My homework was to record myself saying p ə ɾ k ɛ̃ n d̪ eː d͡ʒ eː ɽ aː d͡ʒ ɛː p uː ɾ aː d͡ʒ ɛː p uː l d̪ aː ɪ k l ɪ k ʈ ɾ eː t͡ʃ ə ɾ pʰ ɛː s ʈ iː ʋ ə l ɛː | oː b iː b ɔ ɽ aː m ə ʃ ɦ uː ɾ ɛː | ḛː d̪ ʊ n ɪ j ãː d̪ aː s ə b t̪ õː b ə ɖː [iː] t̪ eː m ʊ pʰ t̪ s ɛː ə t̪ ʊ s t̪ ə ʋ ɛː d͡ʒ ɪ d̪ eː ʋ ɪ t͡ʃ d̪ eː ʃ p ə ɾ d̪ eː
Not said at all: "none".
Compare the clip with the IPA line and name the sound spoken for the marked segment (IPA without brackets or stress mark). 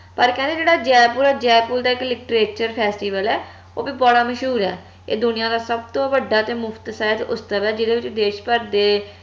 aː